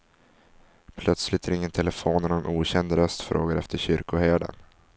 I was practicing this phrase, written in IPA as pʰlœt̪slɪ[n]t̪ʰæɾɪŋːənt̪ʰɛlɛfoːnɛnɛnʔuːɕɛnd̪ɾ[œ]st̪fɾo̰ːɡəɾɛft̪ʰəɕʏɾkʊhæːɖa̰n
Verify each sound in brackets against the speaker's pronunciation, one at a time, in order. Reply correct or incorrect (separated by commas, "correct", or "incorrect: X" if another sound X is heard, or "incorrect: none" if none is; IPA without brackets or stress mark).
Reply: incorrect: none, correct